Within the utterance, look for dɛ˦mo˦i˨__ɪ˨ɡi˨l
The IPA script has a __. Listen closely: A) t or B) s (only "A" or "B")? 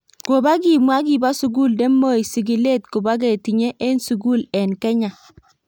B